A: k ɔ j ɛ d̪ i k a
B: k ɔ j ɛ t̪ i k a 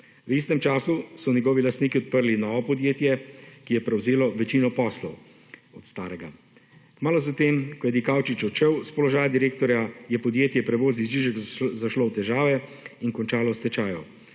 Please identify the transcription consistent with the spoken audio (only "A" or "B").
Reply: A